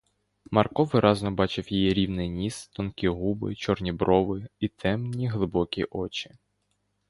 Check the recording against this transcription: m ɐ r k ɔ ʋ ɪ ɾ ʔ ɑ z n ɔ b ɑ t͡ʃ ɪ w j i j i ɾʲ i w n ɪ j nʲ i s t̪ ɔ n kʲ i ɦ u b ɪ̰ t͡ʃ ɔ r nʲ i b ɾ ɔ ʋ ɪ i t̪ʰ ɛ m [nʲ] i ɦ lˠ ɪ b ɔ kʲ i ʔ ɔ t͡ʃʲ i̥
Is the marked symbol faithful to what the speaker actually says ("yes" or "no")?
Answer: yes